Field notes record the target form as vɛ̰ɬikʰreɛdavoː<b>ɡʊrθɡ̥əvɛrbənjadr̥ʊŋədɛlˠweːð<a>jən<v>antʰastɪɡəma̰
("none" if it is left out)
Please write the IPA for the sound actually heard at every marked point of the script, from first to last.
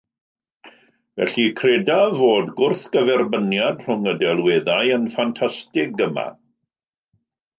d, a, f

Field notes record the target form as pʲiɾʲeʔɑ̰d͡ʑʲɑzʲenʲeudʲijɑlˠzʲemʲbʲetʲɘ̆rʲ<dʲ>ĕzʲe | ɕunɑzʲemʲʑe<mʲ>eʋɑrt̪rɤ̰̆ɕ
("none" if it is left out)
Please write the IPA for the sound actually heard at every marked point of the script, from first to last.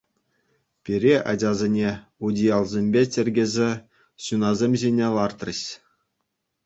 ɡʲ, nʲ

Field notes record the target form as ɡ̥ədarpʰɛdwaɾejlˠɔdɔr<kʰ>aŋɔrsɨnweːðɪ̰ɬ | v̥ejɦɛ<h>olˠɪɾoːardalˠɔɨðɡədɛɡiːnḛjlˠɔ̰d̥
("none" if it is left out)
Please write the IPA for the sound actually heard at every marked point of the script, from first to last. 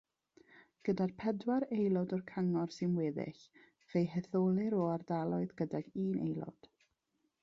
kʰ, θ

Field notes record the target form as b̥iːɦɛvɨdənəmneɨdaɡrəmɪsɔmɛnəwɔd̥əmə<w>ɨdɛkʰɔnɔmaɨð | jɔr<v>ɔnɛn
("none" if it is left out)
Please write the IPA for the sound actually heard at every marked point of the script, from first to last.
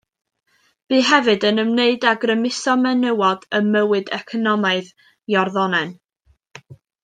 w, ð

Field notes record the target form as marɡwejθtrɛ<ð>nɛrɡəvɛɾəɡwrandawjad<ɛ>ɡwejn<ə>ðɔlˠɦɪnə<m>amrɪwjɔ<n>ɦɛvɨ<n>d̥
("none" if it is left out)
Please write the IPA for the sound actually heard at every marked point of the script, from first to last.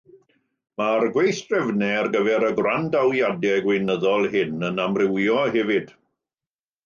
v, ɛ, ə, n, none, none

